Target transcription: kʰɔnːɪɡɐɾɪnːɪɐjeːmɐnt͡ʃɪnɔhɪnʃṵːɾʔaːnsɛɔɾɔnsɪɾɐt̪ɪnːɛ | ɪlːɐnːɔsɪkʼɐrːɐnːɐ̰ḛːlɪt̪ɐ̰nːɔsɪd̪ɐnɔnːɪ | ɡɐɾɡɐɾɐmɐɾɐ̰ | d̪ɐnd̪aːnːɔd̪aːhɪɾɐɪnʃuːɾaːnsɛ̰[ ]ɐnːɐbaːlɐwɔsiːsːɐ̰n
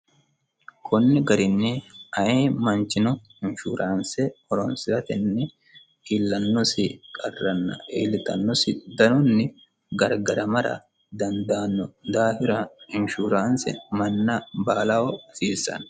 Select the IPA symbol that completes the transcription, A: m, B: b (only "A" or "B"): A